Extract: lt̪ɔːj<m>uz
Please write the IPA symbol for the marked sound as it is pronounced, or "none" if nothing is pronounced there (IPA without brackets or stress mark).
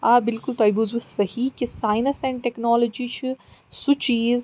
b